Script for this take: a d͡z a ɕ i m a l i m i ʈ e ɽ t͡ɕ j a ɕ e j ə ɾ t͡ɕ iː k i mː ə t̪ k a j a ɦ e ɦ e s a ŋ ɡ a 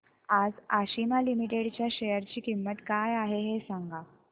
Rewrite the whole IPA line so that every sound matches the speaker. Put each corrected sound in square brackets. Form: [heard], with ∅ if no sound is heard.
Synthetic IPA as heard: a d͡z a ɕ i m a l i m i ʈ e ɽ t͡ɕ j a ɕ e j ə ɾ t͡ɕ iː k i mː ə t̪ k a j a ɦ e ɦ e s a ŋ ɡ a